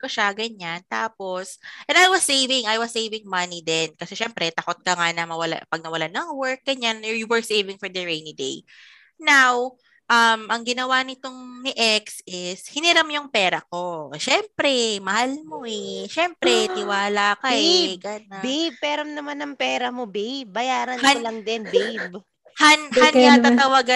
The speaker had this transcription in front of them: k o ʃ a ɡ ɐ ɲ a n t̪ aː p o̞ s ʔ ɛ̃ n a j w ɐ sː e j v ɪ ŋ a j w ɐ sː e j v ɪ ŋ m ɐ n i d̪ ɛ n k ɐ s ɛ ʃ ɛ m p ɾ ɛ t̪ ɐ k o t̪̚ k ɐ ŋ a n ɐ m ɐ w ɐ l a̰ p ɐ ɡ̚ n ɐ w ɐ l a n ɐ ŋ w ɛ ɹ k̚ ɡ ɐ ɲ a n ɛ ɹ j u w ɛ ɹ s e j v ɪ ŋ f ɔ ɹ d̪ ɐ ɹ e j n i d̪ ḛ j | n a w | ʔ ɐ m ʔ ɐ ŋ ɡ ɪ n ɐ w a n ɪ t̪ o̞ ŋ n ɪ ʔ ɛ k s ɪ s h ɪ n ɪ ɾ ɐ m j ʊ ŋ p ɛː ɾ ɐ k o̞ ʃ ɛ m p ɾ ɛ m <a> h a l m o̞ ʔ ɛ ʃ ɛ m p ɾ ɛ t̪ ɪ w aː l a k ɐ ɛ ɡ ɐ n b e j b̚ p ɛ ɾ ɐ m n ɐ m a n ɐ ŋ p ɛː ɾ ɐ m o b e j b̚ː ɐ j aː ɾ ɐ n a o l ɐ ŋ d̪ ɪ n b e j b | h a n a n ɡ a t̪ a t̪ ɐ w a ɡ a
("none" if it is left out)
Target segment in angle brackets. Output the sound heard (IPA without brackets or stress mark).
ɐ